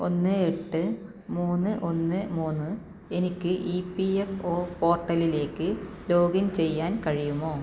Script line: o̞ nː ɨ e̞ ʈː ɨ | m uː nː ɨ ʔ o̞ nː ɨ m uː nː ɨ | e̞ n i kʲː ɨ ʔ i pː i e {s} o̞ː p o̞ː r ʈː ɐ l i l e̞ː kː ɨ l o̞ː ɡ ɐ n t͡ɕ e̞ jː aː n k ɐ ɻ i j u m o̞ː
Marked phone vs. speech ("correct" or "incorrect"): incorrect